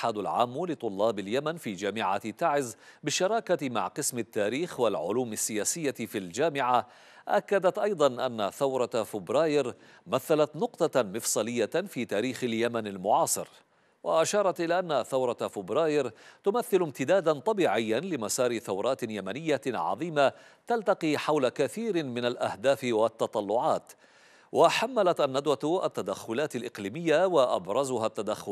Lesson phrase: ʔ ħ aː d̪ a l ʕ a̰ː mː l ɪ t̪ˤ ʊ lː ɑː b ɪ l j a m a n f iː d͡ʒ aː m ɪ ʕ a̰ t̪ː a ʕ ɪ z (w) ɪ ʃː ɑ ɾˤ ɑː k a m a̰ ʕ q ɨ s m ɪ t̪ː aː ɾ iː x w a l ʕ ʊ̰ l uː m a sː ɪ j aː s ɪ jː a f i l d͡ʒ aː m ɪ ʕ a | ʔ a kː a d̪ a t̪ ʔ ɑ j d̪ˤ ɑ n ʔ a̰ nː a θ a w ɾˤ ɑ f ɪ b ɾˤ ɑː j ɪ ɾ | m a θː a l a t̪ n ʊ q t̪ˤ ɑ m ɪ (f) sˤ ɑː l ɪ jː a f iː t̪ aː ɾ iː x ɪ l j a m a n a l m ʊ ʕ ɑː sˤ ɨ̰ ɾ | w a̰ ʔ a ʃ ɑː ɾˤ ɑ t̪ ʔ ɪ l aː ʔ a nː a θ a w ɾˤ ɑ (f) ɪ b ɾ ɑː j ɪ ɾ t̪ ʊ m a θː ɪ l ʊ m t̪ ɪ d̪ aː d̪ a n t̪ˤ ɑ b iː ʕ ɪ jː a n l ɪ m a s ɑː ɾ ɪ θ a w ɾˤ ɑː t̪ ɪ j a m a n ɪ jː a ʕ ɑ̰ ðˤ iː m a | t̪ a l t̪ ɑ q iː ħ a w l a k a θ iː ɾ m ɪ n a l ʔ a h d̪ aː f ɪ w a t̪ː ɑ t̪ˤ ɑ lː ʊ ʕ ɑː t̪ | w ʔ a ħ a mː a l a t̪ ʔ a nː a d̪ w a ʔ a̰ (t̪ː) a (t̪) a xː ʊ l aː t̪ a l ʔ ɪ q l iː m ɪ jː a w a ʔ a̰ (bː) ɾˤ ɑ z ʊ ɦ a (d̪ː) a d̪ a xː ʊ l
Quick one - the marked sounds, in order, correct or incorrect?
incorrect: b, correct, correct, correct, incorrect: d̪, incorrect: b, incorrect: t̪ː

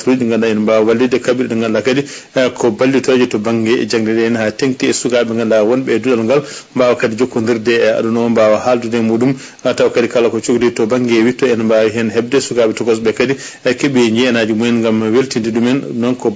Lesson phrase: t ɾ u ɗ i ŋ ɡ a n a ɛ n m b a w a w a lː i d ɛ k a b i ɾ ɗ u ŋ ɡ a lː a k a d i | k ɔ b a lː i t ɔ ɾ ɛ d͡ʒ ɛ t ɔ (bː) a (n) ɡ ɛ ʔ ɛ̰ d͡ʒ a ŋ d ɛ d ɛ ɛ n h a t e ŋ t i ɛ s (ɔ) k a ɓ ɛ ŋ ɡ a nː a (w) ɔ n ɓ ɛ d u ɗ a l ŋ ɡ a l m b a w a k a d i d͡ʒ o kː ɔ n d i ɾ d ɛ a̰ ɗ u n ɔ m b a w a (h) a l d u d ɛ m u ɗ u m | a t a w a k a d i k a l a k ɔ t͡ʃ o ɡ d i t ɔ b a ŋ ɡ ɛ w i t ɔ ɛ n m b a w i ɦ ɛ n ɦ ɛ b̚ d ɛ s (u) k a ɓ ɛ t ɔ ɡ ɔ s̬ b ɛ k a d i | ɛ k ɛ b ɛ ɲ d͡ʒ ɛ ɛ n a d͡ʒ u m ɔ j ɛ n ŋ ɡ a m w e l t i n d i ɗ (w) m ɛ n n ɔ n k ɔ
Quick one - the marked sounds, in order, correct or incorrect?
incorrect: b, incorrect: ŋ, incorrect: u, correct, correct, correct, incorrect: u

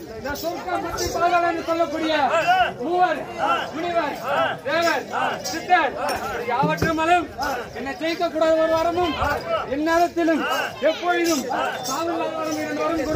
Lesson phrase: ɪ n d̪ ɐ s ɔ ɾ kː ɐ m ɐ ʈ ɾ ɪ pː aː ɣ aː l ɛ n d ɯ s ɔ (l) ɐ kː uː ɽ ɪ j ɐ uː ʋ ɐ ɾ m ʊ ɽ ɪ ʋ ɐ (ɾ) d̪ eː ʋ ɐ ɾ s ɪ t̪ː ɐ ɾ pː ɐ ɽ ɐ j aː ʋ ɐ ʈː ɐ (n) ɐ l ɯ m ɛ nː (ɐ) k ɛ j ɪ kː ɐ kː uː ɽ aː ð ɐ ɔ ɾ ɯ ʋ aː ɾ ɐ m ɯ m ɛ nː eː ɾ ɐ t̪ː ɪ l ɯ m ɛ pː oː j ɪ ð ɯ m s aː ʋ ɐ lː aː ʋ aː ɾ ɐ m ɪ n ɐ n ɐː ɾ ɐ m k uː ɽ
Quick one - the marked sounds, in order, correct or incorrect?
incorrect: lː, correct, incorrect: m, correct

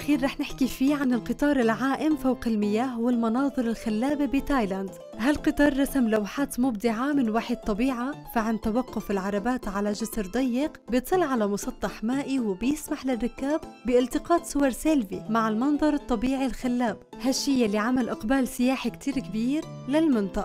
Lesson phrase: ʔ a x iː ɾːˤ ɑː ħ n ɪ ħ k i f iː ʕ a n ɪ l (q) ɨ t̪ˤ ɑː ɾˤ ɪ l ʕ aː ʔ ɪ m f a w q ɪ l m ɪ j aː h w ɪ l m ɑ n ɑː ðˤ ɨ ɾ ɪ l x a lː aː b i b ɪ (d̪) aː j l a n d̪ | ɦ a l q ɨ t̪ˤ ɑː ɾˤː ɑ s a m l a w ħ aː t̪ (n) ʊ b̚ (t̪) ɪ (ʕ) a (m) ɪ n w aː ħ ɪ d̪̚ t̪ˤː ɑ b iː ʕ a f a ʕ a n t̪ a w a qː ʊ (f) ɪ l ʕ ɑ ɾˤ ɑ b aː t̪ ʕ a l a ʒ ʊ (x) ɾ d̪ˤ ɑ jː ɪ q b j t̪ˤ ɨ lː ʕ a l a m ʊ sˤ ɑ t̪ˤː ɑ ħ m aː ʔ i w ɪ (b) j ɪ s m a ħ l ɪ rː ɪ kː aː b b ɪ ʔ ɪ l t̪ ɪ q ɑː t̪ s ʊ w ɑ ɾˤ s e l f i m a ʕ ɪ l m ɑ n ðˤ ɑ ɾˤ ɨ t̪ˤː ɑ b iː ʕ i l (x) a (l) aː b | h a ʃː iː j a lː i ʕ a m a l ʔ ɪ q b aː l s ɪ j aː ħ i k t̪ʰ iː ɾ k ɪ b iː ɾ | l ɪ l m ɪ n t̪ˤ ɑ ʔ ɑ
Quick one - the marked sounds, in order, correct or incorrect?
correct, incorrect: t̪, incorrect: m, incorrect: d̪, correct, correct, correct, incorrect: s, correct, correct, incorrect: lː

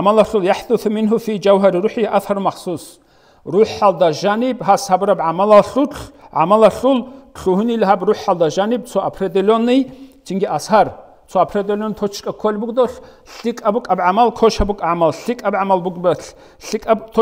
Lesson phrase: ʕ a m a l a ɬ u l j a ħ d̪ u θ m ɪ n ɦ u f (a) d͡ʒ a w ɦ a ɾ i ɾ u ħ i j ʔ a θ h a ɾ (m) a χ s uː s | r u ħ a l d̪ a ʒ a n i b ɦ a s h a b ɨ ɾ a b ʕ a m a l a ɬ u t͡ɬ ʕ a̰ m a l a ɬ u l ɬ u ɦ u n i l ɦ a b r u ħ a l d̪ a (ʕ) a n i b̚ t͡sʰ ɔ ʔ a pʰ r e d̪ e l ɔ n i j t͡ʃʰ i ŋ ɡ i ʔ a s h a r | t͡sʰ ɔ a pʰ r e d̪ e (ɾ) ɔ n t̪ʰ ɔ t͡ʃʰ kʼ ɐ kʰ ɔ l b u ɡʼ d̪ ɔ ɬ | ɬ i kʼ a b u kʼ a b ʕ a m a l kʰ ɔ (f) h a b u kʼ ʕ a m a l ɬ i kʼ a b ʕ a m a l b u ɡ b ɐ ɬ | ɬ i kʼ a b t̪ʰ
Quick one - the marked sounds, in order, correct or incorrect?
incorrect: i, correct, incorrect: ʒ, incorrect: l, incorrect: ʃ

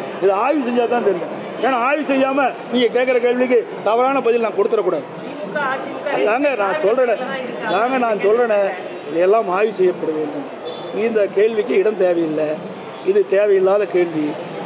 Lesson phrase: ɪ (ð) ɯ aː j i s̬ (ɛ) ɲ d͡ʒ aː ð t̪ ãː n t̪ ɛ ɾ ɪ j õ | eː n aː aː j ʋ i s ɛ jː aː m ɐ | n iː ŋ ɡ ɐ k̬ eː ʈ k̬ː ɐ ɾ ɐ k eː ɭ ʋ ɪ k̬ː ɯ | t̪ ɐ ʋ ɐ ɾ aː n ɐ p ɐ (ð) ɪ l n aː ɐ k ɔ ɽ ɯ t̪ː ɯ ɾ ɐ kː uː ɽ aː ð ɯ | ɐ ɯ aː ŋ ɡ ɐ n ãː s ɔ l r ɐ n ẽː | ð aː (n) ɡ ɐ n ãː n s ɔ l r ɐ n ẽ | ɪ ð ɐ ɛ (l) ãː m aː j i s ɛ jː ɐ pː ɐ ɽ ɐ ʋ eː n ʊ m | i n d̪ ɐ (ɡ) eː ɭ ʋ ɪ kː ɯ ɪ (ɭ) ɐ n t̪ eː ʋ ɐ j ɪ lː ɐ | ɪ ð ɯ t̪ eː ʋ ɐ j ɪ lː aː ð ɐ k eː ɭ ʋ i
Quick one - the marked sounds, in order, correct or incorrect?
correct, correct, correct, incorrect: ŋ, incorrect: lː, incorrect: k, incorrect: ɽ

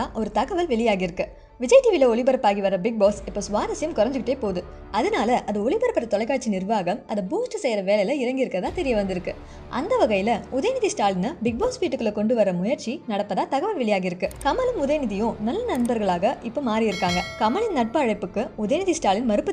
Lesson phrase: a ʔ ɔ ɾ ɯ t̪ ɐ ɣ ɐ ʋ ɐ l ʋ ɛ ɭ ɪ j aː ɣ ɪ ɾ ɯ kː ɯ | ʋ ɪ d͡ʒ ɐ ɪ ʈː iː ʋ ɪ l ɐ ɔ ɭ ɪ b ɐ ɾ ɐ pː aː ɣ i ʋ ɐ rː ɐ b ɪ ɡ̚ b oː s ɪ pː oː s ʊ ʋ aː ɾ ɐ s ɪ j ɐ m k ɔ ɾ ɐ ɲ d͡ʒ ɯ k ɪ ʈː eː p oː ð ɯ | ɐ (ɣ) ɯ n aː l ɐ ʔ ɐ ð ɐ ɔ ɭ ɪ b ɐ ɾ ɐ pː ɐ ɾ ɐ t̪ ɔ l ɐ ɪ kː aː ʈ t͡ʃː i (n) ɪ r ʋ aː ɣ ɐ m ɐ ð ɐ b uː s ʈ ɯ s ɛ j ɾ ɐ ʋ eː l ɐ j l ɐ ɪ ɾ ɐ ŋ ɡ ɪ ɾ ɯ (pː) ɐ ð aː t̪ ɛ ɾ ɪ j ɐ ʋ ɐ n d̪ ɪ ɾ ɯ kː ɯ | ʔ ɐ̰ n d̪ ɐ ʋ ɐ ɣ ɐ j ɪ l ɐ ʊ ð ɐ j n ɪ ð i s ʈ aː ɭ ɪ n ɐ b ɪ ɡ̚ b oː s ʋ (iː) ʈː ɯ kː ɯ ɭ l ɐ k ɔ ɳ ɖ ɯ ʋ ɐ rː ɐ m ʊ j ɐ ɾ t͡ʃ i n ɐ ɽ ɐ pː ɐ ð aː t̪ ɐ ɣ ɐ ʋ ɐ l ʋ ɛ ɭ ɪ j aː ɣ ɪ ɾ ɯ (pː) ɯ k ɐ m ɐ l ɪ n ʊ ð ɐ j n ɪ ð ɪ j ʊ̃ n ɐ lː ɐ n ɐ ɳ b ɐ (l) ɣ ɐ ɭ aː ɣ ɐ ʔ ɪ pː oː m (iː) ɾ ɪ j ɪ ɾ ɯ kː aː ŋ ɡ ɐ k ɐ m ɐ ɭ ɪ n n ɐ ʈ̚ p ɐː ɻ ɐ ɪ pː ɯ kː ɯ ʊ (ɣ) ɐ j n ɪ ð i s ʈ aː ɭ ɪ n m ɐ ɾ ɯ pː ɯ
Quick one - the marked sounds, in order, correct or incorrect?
incorrect: ð, correct, incorrect: kː, correct, incorrect: kː, incorrect: ɾ, incorrect: aː, incorrect: ð

